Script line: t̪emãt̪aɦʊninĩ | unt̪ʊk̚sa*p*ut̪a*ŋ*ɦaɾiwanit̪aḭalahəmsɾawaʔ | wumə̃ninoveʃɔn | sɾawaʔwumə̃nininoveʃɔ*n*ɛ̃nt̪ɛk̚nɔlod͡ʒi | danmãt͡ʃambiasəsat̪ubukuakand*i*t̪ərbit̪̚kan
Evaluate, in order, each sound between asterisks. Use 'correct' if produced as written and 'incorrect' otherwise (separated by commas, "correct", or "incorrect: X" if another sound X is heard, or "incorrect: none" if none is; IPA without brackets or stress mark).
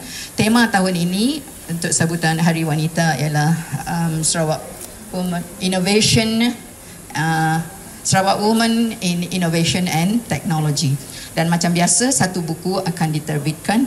incorrect: b, incorrect: n, correct, correct